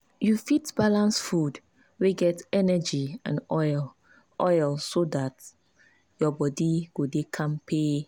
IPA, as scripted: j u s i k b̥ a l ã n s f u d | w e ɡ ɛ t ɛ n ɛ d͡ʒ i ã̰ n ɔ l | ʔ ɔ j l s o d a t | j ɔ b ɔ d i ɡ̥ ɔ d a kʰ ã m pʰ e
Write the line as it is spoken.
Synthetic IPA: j u f i t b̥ a l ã n s f u d | w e ɡ ɛ t ɛ n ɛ d͡ʒ i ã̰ n ɔ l | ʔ ɔ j l s o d a t | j ɔ b ɔ d i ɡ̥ o d e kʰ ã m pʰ e